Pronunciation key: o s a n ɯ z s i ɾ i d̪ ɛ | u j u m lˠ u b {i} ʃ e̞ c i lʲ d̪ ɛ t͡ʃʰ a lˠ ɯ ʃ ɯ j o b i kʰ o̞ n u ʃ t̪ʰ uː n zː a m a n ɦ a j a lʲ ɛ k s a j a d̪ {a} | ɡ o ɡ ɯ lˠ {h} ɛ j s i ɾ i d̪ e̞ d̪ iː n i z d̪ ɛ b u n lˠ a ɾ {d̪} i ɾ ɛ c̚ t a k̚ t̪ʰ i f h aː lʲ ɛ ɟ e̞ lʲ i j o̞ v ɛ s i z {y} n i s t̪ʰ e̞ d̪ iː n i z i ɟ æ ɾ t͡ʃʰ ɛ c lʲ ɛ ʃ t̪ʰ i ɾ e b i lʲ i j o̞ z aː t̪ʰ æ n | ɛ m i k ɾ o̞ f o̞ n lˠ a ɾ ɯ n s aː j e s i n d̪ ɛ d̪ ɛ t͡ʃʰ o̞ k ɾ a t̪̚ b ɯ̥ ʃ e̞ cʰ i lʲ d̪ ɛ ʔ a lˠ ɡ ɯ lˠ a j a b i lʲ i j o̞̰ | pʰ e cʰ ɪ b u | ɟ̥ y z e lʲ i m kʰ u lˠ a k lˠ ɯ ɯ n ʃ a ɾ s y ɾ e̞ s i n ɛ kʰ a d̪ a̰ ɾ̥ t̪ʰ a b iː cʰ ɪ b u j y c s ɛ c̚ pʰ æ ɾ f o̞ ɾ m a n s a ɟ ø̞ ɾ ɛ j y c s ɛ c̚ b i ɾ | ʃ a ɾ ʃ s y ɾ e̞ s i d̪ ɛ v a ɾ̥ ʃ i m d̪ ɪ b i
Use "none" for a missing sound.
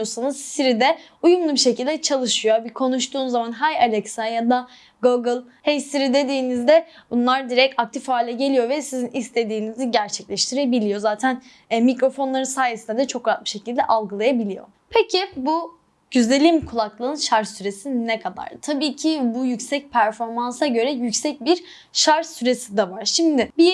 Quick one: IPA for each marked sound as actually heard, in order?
i, a, h, d̪, i

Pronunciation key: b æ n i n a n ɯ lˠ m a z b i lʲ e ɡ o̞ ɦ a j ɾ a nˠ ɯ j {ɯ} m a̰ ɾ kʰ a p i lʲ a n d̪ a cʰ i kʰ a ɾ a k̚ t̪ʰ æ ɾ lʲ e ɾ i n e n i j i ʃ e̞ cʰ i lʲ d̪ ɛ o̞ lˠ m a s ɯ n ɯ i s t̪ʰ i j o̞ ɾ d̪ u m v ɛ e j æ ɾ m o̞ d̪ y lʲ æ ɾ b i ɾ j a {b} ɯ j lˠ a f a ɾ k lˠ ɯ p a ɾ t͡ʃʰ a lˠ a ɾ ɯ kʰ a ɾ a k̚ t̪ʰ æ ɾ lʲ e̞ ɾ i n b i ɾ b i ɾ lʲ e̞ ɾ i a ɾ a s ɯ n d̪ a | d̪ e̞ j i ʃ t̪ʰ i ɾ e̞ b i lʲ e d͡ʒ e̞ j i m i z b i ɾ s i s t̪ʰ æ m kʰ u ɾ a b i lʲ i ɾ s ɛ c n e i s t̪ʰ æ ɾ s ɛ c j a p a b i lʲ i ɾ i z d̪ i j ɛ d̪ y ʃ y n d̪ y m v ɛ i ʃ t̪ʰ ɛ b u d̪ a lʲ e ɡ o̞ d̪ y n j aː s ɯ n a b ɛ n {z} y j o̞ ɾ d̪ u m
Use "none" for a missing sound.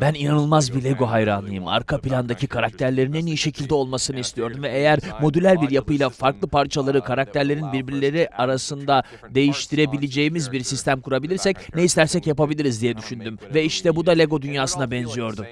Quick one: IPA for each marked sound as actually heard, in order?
ɯ, p, z

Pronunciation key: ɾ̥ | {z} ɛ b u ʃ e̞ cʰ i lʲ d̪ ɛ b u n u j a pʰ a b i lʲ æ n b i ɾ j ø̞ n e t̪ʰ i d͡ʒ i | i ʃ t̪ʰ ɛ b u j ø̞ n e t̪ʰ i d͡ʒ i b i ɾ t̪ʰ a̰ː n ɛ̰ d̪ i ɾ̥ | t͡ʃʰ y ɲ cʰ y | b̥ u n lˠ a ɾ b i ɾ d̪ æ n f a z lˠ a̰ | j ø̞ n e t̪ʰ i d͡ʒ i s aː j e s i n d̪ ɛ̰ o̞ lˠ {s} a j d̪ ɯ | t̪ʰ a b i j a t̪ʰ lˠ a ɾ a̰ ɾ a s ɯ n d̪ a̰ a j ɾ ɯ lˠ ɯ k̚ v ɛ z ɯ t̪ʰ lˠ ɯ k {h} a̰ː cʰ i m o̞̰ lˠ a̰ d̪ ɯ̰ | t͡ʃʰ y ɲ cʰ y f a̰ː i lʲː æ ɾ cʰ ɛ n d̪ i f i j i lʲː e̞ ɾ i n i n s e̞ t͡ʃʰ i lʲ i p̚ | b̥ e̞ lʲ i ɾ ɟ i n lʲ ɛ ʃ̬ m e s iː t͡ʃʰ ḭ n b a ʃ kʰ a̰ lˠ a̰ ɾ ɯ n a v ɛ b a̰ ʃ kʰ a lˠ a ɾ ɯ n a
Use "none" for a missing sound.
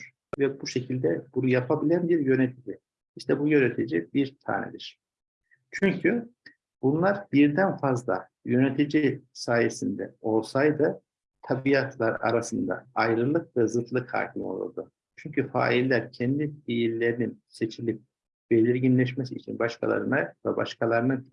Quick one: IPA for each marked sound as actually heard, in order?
v, s, h

